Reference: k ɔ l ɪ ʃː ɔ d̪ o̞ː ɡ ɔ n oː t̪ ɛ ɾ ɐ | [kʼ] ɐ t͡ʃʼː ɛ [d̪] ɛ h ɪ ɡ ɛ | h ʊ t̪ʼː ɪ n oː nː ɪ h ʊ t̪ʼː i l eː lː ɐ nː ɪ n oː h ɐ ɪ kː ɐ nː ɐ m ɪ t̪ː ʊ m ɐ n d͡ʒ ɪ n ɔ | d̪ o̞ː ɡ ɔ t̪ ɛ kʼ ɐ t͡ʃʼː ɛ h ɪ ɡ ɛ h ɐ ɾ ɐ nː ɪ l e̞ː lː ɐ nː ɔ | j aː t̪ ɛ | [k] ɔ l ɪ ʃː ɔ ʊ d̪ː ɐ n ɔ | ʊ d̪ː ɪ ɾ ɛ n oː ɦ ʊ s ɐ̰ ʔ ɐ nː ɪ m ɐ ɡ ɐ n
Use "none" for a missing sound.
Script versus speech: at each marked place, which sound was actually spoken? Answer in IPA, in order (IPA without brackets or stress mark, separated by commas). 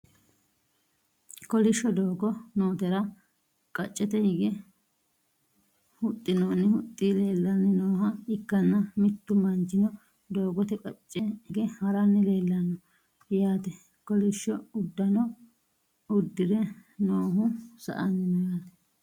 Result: kʼ, t̪, k